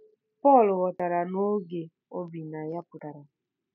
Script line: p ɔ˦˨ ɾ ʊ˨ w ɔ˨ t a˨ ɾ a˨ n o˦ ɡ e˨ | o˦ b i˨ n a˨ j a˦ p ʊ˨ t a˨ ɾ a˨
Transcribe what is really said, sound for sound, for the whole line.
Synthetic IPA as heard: p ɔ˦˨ l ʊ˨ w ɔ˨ t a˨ ɾ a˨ n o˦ ɡ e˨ | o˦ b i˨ n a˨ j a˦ p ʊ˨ t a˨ ɾ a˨